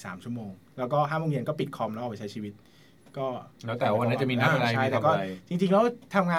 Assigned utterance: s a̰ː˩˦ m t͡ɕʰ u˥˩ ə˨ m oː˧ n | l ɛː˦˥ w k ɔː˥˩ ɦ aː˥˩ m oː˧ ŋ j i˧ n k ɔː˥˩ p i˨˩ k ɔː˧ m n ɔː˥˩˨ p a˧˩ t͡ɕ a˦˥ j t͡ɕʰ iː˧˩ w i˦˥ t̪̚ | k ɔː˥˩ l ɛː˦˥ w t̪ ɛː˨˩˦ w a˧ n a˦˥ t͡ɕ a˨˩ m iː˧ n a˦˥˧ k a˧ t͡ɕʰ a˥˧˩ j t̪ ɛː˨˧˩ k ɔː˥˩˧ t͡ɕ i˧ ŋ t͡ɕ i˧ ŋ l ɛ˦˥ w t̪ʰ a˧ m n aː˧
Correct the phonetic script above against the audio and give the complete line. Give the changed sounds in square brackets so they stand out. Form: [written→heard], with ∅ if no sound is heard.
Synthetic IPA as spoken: s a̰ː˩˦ m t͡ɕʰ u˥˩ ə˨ m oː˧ [n→ŋ] | l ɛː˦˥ w k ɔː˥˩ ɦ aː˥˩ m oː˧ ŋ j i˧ n k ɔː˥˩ p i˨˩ [k→kʰ] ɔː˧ m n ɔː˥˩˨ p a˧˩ t͡ɕ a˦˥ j t͡ɕʰ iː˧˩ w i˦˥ t̪̚ | k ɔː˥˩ l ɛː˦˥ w t̪ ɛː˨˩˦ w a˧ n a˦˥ t͡ɕ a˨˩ m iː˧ n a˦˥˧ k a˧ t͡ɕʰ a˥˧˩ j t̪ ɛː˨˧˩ k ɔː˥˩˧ t͡ɕ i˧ ŋ t͡ɕ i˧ ŋ l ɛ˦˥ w t̪ʰ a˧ m [n→ŋ] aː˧